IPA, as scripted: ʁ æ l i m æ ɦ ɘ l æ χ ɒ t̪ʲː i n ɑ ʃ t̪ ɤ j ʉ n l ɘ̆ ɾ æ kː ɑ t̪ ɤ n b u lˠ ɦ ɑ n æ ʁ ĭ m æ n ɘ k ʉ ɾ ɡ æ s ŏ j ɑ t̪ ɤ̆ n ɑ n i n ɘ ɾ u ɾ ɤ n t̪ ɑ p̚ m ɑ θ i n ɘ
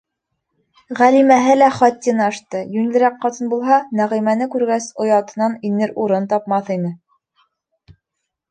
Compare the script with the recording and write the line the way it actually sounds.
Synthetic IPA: ʁ æ l i m æ ɦ ɘ l æ χ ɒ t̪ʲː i n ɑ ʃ t̪ ɤ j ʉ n l ɘ̆ ɾ æ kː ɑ t̪ ɤ n b u lˠ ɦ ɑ n æ ʁ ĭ m æ n ɘ k ʉ ɾ ɡ æ s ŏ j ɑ t̪ ɤ̆ n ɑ n i n ɘ ɾ u ɾ ɤ n t̪ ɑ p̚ m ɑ θ i n ɘ